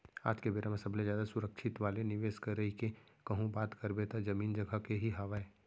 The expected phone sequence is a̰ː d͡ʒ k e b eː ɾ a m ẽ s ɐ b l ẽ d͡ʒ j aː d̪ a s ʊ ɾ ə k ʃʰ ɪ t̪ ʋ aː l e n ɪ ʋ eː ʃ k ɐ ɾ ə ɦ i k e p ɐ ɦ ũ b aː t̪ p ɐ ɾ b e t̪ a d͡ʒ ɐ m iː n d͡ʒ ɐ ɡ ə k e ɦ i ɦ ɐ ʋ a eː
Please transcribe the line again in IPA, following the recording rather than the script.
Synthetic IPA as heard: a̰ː d͡ʒ k e b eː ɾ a m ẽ s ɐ b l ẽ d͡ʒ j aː d̪ a s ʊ ɾ ə k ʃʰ ɪ t̪ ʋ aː l e n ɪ ʋ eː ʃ k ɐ ɾ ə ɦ i k e k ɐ ɦ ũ b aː t̪ k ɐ ɾ b e t̪ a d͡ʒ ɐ m iː n d͡ʒ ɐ ɡ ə k e ɦ i ɦ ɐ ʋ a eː